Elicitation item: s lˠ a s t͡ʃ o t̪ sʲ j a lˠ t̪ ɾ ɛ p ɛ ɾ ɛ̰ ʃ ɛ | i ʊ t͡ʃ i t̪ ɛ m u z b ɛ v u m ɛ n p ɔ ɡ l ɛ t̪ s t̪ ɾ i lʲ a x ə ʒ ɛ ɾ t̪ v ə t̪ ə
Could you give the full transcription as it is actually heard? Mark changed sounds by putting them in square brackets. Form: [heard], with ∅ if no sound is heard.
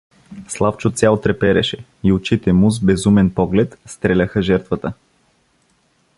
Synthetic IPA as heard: s lˠ a [f] t͡ʃ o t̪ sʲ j a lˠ t̪ ɾ ɛ p ɛ ɾ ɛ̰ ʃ ɛ | i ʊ t͡ʃ i t̪ ɛ m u z b ɛ [z] u m ɛ n p ɔ ɡ l ɛ t̪ s t̪ ɾ [ɛ] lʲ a x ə ʒ ɛ ɾ t̪ v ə t̪ ə